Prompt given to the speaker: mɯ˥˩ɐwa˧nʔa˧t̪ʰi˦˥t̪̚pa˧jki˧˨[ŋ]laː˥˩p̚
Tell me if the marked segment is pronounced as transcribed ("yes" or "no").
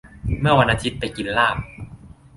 no